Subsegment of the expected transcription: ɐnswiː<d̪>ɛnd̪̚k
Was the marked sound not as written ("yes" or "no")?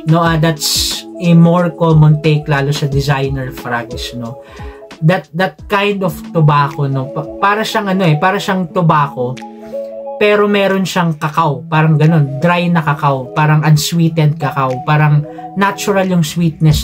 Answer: yes